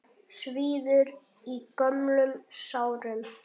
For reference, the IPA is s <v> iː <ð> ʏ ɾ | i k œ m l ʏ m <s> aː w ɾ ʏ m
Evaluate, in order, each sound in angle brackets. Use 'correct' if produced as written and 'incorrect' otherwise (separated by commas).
correct, correct, correct